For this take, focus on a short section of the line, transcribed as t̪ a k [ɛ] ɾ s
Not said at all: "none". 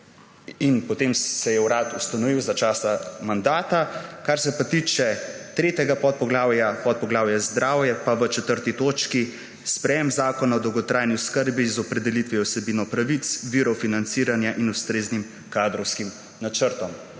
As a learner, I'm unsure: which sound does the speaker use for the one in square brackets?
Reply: a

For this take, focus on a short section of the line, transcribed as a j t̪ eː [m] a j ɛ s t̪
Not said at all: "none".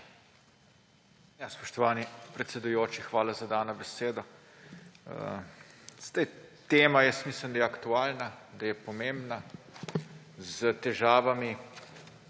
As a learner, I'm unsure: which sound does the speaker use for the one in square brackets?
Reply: m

